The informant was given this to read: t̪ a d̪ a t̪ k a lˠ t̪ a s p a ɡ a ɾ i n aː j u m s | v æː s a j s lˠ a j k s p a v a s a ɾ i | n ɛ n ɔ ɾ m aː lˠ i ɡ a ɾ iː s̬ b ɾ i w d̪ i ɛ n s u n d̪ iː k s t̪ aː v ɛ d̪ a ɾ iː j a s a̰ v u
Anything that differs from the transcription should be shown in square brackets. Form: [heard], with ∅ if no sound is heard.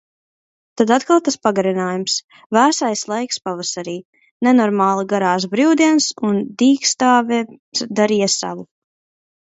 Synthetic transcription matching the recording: t̪ a d̪ a t̪ k a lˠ t̪ a s p a ɡ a ɾ i n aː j u m s | v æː s a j s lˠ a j k s p a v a s a ɾ [iː] | n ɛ n ɔ ɾ m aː lˠ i ɡ a ɾ [aː] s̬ b ɾ i w d̪ i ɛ n s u n d̪ iː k s t̪ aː v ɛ d̪ a ɾ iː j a s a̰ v u